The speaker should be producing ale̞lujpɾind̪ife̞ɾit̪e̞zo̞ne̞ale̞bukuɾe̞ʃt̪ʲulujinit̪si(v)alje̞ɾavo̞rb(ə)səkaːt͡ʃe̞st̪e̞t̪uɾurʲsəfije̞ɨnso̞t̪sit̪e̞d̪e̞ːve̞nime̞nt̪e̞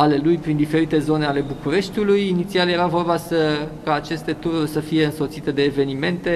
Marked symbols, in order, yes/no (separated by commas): no, no